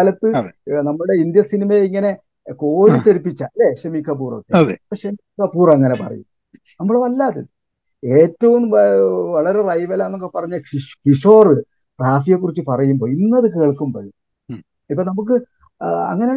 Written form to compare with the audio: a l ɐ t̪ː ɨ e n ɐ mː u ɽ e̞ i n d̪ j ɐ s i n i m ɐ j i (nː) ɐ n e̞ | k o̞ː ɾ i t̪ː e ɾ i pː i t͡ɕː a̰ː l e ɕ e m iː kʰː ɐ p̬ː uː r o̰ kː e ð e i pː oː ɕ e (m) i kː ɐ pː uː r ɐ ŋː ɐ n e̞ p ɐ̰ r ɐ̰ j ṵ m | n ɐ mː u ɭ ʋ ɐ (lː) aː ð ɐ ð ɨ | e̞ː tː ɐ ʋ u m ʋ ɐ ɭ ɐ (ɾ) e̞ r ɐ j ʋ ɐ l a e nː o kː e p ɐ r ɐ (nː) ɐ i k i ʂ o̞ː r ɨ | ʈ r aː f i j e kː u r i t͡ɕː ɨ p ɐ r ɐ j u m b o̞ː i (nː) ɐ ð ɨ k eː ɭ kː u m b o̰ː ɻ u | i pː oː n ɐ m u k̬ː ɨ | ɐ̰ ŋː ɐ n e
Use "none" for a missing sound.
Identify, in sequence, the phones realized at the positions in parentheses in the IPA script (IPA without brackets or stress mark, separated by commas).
ŋː, m, lː, ɾ, ɲː, nː